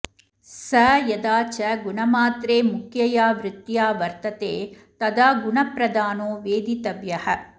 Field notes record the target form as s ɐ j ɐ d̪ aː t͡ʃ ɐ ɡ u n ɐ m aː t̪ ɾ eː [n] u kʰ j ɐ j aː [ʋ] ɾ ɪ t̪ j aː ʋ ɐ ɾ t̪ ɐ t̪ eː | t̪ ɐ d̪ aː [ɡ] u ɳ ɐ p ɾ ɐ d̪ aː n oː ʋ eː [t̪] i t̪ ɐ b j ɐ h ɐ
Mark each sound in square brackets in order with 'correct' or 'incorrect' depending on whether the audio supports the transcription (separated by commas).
incorrect, correct, correct, incorrect